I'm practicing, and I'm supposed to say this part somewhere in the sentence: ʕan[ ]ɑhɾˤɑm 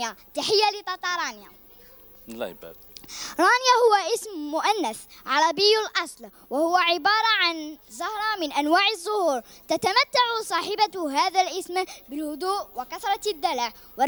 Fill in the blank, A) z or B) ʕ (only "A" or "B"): A